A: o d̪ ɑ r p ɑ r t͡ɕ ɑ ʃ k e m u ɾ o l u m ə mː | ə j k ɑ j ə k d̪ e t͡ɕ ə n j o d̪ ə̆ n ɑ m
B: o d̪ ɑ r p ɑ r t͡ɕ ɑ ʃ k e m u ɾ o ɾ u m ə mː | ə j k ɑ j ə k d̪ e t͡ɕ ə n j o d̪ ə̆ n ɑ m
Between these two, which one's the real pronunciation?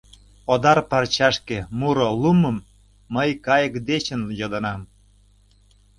A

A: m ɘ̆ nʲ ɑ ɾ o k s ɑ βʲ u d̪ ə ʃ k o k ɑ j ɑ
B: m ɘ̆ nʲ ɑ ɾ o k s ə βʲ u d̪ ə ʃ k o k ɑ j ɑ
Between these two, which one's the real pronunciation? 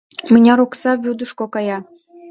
A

